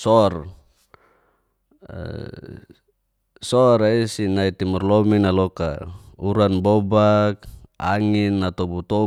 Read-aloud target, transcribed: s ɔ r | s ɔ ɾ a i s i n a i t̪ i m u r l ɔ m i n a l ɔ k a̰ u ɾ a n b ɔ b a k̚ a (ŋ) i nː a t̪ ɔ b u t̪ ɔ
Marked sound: correct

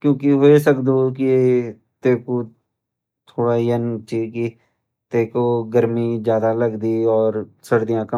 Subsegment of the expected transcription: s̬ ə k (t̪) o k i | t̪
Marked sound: incorrect: d̪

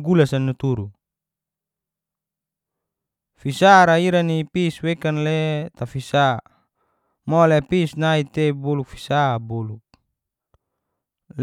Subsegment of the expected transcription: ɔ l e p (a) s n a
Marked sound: incorrect: i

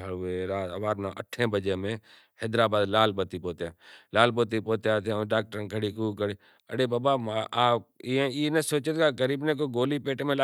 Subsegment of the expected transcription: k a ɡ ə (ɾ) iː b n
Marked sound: correct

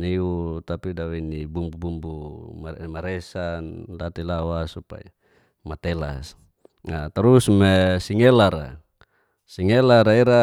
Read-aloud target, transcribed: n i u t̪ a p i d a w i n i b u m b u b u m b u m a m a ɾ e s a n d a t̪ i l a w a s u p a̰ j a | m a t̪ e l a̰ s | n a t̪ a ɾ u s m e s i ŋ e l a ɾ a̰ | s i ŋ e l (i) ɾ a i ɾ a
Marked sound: incorrect: a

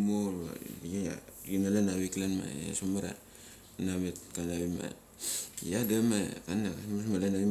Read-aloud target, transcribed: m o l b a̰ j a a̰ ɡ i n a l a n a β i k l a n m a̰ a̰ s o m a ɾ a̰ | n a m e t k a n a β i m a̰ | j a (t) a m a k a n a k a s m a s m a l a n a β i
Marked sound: incorrect: d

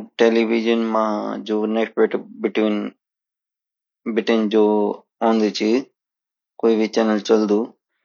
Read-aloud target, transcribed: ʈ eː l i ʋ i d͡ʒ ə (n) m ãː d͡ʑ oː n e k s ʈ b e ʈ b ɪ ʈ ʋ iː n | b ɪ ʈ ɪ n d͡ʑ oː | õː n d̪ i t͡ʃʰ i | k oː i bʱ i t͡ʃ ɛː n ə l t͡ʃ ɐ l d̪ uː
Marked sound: correct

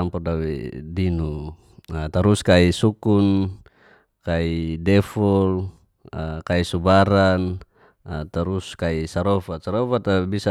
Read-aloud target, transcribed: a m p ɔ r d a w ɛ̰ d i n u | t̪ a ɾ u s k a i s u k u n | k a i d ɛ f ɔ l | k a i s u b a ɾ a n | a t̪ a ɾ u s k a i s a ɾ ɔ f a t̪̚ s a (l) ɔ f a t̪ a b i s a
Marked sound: incorrect: ɾ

